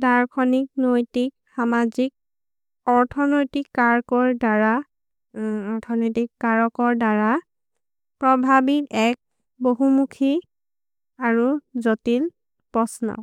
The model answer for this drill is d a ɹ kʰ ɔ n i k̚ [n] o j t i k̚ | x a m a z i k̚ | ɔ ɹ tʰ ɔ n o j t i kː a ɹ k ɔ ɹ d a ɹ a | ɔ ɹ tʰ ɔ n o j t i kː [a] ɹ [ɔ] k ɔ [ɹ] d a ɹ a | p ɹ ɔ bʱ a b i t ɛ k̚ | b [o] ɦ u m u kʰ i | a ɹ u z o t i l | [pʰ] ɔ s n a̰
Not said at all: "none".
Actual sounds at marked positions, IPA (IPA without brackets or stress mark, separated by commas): n, a, ɔ, ɹ, o, p